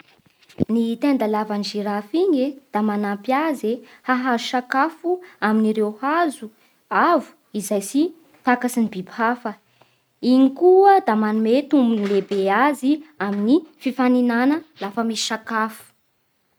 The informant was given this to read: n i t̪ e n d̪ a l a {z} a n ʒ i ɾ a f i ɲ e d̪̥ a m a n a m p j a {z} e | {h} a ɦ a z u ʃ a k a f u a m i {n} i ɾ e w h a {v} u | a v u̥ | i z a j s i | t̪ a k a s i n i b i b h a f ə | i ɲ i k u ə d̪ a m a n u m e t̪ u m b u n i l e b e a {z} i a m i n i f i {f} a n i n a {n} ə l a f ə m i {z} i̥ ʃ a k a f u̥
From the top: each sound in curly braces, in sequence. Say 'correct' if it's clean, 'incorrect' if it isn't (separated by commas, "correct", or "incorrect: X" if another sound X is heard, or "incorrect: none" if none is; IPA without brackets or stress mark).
incorrect: v, correct, correct, correct, incorrect: z, correct, correct, correct, incorrect: s